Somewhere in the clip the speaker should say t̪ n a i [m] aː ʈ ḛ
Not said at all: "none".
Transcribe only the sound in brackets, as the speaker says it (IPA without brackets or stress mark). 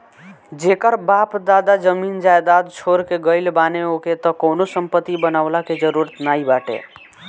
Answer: b